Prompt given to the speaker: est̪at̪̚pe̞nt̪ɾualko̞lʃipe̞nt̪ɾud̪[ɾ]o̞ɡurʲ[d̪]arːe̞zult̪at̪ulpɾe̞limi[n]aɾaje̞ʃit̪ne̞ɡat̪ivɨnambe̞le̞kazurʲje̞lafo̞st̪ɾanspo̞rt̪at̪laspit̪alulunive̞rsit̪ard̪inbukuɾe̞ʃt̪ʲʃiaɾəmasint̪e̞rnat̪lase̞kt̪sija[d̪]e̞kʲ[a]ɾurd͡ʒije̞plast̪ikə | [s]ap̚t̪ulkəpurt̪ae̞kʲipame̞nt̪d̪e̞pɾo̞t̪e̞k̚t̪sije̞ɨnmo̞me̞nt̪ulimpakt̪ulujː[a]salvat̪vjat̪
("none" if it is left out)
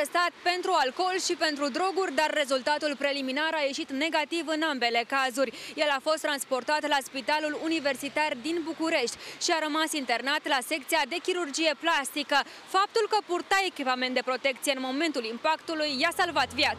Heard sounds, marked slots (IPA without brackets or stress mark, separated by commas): ɾ, d̪, n, d̪, i, f, a